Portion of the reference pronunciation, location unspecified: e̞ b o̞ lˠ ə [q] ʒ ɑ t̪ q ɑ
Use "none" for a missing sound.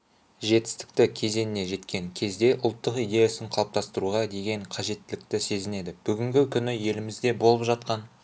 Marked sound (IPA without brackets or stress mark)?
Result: p